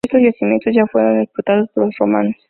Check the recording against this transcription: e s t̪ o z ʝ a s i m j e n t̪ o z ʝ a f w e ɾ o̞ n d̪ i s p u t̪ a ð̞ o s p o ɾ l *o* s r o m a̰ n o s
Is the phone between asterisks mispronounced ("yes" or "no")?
no